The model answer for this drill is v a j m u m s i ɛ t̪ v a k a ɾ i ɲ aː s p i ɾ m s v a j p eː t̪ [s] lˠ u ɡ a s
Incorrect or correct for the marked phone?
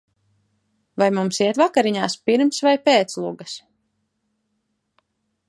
correct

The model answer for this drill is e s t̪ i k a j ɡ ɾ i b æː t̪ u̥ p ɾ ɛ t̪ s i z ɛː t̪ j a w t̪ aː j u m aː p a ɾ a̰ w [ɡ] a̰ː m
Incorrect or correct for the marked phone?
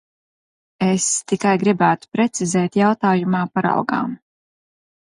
correct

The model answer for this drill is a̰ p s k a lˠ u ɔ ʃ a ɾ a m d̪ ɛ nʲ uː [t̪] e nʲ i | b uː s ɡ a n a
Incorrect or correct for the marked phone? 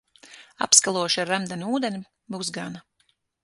incorrect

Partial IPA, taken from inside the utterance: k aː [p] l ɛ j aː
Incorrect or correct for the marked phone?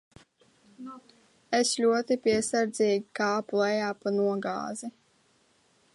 correct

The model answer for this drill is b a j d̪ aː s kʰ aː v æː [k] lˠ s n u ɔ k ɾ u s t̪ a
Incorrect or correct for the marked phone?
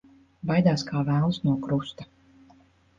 incorrect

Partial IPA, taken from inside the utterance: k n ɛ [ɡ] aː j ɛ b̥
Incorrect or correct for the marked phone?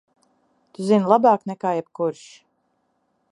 incorrect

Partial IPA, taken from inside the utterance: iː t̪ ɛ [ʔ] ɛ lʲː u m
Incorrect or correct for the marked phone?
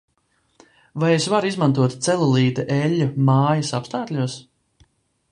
correct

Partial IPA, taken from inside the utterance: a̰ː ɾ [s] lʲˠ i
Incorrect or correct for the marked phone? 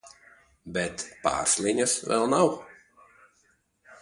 correct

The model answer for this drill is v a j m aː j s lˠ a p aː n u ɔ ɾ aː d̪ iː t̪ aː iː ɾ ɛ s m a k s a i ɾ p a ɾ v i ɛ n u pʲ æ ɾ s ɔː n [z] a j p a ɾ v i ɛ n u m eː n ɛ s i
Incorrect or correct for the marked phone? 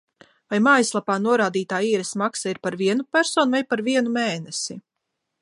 incorrect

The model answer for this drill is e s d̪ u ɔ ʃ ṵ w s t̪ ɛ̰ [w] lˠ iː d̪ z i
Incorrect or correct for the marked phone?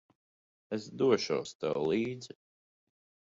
correct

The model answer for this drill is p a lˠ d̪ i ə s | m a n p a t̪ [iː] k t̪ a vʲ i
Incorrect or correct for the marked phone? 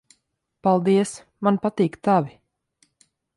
correct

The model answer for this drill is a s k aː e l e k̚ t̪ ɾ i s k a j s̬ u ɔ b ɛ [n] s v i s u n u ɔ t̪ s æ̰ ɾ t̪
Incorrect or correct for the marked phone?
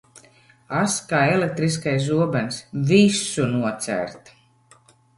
correct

